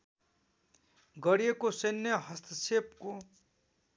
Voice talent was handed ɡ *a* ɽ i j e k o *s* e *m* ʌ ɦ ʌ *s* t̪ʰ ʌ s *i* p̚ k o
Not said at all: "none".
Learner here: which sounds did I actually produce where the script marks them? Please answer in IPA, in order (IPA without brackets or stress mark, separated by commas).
ʌ, s, n, s, e